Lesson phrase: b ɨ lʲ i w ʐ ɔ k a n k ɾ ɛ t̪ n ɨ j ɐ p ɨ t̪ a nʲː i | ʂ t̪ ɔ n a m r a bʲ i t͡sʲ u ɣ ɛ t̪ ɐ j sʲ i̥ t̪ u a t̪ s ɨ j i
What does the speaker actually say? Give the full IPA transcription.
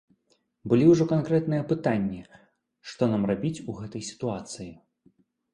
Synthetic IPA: b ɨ lʲ i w ʐ ɔ k a n k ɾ ɛ t̪ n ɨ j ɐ p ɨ t̪ a nʲː i | ʂ t̪ ɔ n a m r a bʲ i t͡sʲ u ɣ ɛ t̪ ɐ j sʲ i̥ t̪ u a t̪ s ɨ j i